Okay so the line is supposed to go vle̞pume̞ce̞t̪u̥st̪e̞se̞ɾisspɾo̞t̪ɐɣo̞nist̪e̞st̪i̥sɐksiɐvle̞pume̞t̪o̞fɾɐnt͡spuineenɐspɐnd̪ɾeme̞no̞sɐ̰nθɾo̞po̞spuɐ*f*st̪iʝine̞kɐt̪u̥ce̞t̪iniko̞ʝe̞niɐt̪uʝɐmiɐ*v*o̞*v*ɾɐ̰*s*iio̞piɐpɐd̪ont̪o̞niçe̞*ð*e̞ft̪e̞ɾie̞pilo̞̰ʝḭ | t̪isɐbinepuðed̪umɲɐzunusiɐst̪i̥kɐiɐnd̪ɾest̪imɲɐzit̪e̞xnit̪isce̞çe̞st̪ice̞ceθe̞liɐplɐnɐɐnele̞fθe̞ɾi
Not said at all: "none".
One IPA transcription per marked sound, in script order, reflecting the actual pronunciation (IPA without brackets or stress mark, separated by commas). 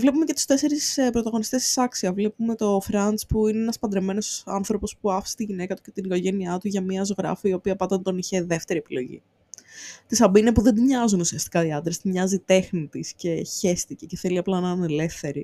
f, z, ɣ, f, ð